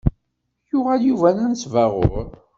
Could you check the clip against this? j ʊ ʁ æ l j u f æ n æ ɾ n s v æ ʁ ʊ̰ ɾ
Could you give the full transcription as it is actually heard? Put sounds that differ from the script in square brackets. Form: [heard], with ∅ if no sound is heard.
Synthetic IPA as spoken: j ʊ ʁ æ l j u [v] æ n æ [∅] n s v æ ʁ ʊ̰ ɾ

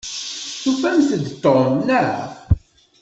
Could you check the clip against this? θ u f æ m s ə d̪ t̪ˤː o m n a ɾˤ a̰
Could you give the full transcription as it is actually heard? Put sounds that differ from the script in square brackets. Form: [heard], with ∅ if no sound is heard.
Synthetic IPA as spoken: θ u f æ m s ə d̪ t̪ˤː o m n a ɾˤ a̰

